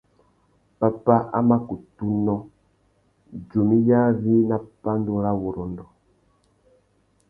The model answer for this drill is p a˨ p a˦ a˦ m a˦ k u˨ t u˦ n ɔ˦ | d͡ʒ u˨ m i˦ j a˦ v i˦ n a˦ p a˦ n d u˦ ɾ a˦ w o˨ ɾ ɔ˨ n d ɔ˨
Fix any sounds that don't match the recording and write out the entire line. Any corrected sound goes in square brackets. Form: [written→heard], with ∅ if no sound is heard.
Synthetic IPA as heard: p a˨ p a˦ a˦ m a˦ k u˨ t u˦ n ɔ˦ | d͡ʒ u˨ m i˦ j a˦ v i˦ n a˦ p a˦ n d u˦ ɾ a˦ w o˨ ɾ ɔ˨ n d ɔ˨